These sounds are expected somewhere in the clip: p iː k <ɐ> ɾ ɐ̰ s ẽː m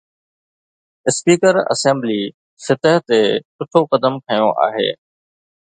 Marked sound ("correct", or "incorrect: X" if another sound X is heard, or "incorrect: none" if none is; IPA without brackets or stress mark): incorrect: ə